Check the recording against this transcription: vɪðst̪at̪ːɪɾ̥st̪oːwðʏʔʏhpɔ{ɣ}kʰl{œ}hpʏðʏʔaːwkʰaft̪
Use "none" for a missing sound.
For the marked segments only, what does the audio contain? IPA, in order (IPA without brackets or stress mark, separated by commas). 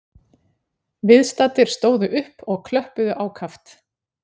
ɣ, œ